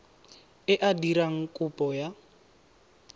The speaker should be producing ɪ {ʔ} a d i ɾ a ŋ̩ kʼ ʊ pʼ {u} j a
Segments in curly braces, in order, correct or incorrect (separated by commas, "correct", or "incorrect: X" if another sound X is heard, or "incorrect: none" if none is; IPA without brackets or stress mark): correct, incorrect: ɔ